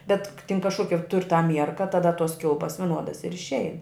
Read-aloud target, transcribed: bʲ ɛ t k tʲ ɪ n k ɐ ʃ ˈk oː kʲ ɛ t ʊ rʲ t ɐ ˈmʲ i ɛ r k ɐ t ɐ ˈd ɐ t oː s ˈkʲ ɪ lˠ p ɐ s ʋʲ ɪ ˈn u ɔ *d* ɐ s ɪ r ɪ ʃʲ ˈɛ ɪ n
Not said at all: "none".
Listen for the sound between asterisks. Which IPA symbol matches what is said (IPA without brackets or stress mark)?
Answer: d